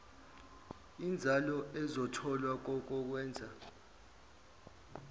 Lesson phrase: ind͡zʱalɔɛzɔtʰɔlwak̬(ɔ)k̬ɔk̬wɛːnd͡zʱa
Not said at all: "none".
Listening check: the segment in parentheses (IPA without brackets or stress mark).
ɔ